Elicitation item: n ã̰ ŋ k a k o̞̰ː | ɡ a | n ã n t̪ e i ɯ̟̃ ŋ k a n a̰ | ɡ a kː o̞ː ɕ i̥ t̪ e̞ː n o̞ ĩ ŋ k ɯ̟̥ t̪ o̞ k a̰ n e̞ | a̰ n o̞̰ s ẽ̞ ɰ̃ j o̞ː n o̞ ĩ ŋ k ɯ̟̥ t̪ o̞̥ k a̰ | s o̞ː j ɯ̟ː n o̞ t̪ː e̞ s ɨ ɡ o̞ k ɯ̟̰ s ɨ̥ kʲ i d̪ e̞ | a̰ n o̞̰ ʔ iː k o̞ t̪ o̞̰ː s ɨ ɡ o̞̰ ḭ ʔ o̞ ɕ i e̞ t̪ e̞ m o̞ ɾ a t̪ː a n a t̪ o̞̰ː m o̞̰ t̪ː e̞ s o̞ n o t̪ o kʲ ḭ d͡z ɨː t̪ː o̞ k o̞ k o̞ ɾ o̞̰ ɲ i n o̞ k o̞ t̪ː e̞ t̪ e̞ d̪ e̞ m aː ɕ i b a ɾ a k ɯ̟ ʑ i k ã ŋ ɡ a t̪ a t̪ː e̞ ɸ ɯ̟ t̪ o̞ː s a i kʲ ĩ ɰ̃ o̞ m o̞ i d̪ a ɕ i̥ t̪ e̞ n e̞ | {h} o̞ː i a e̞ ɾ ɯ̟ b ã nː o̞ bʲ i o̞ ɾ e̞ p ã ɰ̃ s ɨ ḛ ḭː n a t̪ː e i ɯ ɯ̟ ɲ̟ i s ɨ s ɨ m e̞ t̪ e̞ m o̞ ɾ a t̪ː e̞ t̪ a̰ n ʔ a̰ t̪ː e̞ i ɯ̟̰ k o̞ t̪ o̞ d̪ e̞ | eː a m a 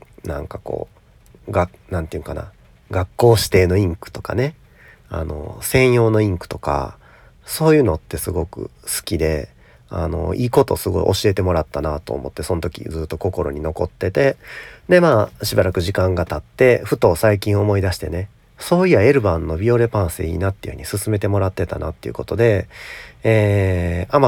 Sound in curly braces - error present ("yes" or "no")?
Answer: yes